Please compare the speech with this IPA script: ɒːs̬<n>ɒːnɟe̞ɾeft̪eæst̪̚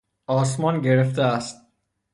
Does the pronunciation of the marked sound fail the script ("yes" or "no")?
yes